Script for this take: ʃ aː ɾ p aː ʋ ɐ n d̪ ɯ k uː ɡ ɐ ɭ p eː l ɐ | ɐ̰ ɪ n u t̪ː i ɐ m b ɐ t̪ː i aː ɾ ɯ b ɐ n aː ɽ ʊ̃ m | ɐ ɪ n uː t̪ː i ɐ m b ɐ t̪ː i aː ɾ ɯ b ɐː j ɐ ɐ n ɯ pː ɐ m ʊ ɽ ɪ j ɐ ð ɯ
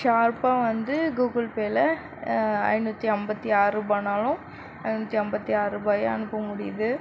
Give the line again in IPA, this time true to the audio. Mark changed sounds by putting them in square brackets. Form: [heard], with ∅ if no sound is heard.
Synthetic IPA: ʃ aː ɾ p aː ʋ ɐ n d̪ ɯ [ɡ] uː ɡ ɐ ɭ p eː l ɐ | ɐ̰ ɪ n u t̪ː i ɐ m b ɐ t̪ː i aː ɾ ɯ b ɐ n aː [l] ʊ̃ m | ɐ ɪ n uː t̪ː i ɐ m b ɐ t̪ː i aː ɾ ɯ b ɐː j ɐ ɐ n ɯ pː ɐ m ʊ ɽ ɪ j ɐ ð ɯ

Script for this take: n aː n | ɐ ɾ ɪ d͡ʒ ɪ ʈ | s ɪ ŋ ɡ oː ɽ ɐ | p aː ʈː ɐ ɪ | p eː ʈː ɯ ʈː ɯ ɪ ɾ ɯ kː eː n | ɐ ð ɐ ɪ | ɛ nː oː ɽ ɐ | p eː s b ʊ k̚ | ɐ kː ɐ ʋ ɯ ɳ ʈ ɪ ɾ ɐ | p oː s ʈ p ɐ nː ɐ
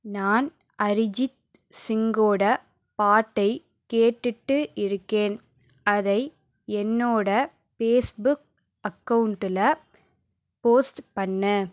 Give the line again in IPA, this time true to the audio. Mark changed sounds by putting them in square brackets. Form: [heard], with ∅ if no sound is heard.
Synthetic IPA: n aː n | ɐ ɾ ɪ d͡ʒ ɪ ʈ | s ɪ ŋ ɡ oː ɽ ɐ | p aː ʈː ɐ ɪ | [k] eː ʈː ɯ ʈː ɯ ɪ ɾ ɯ kː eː n | ɐ ð ɐ ɪ | ɛ nː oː ɽ ɐ | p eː s b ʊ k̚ | ɐ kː ɐ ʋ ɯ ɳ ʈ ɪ [l] ɐ | p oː s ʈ p ɐ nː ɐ

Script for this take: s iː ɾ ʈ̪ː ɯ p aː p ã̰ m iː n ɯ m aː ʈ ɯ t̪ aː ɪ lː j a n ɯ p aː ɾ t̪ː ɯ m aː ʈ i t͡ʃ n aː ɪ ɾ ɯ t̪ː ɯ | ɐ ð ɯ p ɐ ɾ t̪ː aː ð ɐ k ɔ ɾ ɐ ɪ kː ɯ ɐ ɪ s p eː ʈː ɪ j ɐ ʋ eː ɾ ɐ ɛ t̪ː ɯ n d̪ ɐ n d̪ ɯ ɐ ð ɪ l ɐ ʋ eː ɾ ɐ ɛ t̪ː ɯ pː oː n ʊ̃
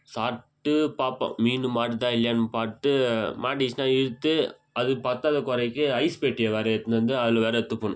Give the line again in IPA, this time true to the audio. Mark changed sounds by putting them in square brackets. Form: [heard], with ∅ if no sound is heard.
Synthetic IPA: s [aː] ɾ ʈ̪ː ɯ p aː p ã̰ m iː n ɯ m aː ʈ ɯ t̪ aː ɪ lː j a n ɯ p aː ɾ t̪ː ɯ m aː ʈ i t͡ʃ n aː ɪ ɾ ɯ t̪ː ɯ | ɐ ð ɯ p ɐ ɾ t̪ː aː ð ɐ k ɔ ɾ ɐ ɪ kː ɯ ɐ ɪ s p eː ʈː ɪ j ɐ ʋ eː ɾ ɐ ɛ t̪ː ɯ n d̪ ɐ n d̪ ɯ ɐ ð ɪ l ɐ ʋ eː ɾ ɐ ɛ t̪ː ɯ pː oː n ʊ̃

